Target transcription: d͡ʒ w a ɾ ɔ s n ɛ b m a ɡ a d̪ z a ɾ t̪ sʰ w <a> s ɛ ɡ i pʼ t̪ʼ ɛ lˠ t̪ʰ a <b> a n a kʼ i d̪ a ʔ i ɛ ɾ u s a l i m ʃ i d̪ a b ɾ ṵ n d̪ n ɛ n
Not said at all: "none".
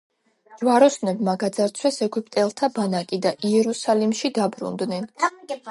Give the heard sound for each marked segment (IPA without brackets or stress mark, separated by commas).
ɛ, b